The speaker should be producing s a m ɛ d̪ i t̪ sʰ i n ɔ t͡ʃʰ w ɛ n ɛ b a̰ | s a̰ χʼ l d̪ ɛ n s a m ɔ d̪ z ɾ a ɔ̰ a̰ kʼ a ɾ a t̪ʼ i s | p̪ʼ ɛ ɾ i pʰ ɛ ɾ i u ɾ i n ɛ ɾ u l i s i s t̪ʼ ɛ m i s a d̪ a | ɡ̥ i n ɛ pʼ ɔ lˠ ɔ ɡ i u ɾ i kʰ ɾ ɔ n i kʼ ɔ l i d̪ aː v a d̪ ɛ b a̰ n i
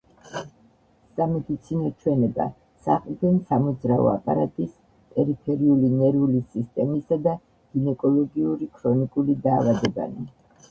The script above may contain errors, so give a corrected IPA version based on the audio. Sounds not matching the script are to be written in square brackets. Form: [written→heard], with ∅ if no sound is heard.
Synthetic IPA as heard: s a m ɛ d̪ i t̪ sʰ i n ɔ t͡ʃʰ w ɛ n ɛ b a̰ | s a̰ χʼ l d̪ ɛ n s a m ɔ d̪ z ɾ a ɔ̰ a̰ [kʼ→pʼ] a ɾ a t̪ʼ i s | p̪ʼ ɛ ɾ i pʰ ɛ ɾ i u [ɾ→l] i n ɛ ɾ u l i s i s t̪ʼ ɛ m i s a d̪ a | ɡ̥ i n ɛ [pʼ→kʼ] ɔ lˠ ɔ ɡ i u ɾ i kʰ ɾ ɔ n i kʼ [ɔ→u] l i d̪ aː v a d̪ ɛ b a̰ n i